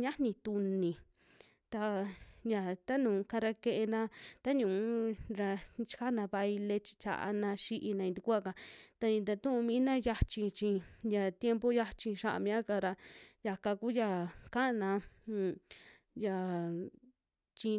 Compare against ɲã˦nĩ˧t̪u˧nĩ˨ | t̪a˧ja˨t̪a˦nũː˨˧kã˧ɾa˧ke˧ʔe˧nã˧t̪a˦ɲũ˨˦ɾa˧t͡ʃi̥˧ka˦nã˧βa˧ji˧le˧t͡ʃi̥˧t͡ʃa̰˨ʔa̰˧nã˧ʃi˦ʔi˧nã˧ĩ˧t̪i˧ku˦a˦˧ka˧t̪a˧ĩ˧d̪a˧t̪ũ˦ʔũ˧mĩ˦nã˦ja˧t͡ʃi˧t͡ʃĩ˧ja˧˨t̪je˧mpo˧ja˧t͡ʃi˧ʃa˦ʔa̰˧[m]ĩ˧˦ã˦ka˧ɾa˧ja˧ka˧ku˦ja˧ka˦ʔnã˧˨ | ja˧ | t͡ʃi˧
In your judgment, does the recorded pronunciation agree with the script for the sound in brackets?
yes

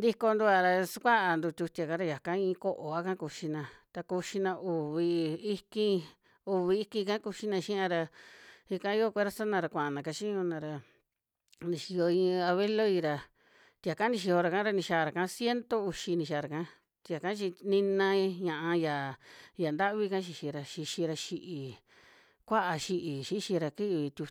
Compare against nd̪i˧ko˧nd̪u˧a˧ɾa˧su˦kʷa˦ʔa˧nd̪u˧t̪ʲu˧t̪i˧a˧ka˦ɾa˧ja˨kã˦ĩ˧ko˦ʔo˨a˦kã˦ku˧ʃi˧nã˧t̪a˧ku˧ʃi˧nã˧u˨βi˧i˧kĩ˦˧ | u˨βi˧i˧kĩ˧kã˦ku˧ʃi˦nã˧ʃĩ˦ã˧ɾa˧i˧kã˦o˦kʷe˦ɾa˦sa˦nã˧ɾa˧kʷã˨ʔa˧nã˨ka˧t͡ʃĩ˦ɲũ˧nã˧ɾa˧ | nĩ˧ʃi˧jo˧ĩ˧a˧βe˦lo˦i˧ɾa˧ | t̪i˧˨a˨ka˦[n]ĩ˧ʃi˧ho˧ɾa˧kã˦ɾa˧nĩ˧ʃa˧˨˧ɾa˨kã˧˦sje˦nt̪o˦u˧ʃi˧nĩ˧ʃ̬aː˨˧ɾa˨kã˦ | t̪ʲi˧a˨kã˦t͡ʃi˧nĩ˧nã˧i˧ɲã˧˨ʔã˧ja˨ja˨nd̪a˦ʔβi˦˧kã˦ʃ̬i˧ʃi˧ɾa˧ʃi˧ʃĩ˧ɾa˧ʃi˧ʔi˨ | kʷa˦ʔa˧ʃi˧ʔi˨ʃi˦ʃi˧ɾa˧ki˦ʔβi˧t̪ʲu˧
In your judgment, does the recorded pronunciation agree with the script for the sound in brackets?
yes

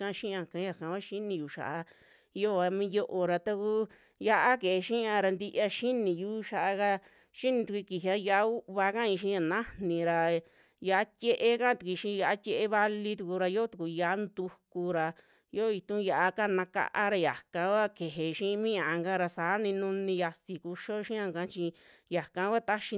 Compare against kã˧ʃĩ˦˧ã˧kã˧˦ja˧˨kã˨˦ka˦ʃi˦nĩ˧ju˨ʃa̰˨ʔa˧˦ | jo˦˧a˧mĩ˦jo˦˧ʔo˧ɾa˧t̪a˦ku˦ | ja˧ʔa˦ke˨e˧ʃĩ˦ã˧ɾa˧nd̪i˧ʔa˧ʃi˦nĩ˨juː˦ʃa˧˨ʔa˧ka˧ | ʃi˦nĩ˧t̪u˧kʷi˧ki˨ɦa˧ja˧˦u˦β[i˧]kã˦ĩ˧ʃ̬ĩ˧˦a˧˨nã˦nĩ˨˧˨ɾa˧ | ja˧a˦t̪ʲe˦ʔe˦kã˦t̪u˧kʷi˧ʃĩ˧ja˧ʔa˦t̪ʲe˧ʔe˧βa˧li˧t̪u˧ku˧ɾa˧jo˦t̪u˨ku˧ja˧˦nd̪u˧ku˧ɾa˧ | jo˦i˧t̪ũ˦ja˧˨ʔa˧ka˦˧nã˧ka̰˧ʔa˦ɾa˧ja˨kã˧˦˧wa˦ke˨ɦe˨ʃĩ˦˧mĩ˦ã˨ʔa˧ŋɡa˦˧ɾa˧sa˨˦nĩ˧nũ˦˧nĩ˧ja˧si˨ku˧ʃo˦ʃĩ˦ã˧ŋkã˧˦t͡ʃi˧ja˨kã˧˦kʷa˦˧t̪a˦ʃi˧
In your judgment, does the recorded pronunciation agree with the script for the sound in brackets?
no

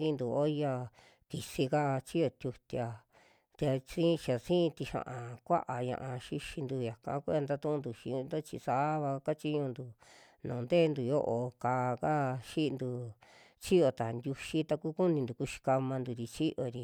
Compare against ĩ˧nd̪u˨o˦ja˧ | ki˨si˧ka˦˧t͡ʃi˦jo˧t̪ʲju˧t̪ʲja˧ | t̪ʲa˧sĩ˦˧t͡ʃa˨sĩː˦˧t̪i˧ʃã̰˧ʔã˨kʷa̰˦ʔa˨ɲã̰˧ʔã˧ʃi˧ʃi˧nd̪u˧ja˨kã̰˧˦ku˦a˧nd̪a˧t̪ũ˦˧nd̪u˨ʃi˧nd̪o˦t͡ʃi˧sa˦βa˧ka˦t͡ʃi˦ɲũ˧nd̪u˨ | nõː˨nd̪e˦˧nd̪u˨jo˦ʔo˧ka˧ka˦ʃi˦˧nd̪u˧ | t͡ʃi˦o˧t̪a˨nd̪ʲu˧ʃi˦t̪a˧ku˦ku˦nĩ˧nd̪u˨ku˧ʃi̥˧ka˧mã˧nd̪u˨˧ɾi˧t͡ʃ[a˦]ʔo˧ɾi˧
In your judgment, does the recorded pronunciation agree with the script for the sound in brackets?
no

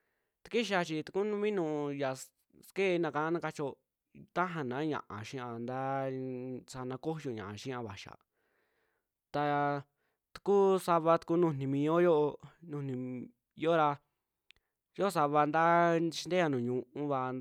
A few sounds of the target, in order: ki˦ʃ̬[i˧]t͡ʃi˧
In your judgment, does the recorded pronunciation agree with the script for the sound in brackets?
no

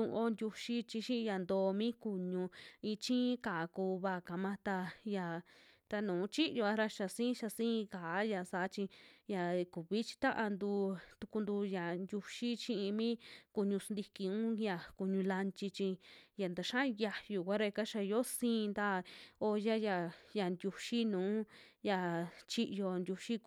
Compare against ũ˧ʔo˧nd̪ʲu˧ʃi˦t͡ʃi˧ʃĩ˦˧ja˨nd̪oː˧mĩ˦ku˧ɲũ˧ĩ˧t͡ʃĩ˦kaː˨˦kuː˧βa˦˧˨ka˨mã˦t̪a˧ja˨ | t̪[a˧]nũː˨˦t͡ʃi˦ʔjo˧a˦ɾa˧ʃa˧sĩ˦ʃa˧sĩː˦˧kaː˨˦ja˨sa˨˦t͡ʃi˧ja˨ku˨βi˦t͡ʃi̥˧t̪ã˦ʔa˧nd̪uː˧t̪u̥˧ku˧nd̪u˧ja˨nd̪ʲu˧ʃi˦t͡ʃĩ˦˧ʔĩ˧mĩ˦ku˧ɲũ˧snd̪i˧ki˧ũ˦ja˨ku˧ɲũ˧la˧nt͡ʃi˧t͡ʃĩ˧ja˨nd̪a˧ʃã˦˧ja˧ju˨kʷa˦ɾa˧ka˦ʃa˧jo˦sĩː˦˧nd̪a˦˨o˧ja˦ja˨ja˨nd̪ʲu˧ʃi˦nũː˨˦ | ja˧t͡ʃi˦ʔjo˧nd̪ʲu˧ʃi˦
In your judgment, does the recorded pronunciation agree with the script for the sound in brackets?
yes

